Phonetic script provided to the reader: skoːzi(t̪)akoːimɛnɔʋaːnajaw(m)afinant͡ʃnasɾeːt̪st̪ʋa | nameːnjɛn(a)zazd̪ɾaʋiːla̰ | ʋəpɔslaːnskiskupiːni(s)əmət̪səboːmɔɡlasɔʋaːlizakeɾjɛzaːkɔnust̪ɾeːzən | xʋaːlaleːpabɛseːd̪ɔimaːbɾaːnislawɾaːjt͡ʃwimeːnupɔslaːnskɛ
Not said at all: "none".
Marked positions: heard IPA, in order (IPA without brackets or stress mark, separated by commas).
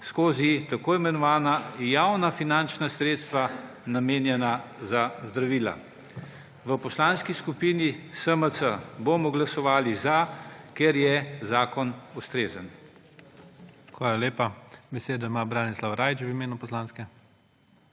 t̪, n, a, s